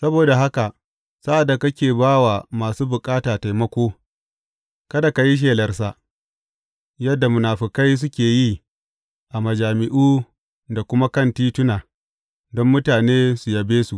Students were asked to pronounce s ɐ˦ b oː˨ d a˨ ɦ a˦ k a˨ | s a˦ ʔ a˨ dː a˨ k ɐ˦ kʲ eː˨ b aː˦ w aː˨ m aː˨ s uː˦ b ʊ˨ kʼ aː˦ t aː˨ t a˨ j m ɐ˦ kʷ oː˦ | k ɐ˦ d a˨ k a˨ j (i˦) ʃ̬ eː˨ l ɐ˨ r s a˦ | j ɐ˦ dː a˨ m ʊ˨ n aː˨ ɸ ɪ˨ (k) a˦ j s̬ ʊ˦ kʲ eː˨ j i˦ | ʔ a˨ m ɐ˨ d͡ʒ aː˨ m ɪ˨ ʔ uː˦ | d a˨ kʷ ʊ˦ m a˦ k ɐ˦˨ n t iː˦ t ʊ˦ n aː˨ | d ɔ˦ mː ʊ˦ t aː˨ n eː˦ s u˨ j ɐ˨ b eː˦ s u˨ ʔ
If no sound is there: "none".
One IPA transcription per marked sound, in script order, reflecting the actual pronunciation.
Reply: i˦, k

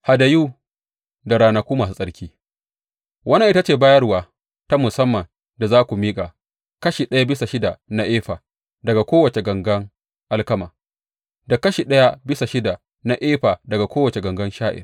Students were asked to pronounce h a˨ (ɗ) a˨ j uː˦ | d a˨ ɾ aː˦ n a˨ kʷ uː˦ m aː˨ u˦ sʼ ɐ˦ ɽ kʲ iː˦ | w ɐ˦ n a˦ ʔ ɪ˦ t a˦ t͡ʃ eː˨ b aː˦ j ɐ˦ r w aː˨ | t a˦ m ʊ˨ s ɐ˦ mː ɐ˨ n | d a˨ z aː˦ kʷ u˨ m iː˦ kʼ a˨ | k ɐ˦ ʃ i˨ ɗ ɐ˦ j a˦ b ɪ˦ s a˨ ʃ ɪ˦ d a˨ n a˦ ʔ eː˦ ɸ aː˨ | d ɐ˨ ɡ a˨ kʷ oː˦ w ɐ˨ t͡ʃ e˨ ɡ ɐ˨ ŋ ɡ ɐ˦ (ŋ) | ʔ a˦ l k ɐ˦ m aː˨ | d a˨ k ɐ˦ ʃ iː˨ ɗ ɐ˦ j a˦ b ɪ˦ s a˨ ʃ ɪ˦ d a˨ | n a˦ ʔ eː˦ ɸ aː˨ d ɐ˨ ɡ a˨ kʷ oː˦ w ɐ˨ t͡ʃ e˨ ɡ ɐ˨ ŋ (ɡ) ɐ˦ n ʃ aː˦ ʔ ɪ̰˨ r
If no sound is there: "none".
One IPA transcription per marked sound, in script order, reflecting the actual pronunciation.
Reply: d, ŋ, ɡ

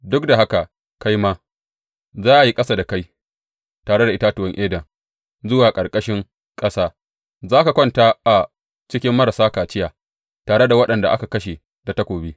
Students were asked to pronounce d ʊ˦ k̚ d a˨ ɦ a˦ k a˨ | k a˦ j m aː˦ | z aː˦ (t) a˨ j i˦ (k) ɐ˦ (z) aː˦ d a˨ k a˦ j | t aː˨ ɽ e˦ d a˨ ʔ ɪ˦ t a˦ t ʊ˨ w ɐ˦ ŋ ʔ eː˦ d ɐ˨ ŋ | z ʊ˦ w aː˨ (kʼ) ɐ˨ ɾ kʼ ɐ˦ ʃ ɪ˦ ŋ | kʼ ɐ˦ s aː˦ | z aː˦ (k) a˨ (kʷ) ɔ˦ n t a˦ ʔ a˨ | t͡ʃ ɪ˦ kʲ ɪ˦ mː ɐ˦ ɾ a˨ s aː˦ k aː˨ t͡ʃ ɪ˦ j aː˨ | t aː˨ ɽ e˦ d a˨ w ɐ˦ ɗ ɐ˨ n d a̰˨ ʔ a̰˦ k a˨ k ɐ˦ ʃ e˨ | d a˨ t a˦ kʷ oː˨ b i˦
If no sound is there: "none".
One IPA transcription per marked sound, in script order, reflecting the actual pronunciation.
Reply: ʔ, kʼ, s, kʼ, k, kʷ

